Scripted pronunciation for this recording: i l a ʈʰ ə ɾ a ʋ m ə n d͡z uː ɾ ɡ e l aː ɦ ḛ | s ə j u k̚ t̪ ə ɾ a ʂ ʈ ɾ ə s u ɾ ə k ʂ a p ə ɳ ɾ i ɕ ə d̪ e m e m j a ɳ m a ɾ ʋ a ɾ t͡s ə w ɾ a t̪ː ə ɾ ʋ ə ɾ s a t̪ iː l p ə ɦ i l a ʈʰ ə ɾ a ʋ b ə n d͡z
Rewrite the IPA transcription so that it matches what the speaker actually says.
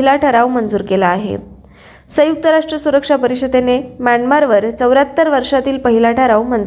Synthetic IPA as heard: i l a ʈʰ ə ɾ a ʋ m ə n d͡z uː ɾ k e l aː ɦ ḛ | s ə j u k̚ t̪ ə ɾ a ʂ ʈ ɾ ə s u ɾ ə k ʂ a p ə ɾ i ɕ ə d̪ e n e m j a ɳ m a ɾ ʋ ə ɾ t͡s ə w ɾ a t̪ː ə ɾ ʋ ə ɾ ʂ a t̪ iː l p ə ɦ i l a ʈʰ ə ɾ a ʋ m ə n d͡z